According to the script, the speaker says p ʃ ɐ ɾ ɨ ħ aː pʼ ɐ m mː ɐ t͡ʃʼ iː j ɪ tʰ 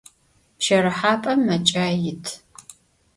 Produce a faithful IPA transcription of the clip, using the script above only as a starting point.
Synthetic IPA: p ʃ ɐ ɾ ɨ ħ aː pʼ ɐ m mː ɐ t͡ʃʼ aː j ɪ tʰ